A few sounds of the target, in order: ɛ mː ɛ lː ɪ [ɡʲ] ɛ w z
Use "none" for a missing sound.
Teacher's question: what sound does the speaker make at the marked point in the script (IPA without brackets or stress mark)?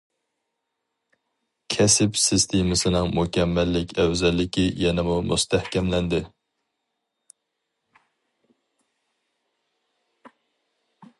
kʲ